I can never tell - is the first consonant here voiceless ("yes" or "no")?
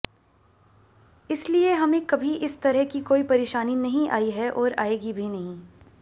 yes